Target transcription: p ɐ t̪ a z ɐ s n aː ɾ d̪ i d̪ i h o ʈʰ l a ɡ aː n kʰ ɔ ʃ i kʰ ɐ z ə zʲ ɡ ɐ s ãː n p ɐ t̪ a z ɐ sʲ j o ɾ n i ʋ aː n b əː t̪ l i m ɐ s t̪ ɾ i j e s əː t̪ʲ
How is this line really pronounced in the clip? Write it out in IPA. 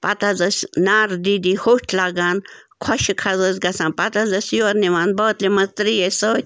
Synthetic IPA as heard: p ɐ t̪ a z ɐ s n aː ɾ d̪ i d̪ i h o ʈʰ l a ɡ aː n kʰ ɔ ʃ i kʰ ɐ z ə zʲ ɡ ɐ s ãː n p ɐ t̪ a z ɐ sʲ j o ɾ n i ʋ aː n b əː t̪ l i m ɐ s t̪ ɾ i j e s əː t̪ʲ